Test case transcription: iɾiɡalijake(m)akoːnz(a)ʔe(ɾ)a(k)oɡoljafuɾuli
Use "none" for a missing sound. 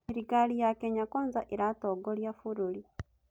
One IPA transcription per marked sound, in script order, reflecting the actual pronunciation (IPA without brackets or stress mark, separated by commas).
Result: ɲ, a, ɾ, t